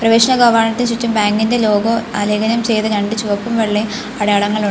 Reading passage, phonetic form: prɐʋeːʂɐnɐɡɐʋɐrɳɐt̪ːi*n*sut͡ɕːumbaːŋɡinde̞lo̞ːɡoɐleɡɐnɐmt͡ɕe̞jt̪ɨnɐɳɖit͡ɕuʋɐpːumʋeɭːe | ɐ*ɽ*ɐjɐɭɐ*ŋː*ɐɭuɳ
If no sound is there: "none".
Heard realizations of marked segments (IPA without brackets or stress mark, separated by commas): n, ɽ, ŋː